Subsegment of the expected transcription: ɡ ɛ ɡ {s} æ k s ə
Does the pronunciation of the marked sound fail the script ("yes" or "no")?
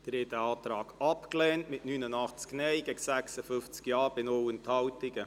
no